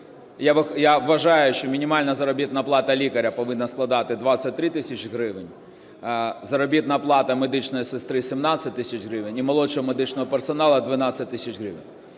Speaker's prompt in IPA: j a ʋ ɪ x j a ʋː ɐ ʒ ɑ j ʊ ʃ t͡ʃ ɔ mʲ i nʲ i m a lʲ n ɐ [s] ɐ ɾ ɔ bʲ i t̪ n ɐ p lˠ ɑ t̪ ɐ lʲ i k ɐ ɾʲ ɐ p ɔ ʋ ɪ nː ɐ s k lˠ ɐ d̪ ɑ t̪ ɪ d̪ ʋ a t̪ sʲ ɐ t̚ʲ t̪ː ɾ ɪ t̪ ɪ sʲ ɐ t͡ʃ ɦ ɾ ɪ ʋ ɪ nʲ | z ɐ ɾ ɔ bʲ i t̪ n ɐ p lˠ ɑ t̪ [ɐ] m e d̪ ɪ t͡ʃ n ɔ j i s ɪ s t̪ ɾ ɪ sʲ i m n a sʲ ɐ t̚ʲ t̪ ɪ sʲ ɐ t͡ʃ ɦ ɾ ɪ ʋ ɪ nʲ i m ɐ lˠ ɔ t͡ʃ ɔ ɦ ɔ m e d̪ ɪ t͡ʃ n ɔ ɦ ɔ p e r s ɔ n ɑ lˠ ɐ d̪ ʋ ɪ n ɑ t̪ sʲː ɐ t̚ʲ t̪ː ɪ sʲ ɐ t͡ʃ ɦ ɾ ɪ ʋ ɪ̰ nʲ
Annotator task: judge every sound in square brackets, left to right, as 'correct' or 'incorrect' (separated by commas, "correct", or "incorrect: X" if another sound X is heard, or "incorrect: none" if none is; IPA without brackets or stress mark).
incorrect: z, correct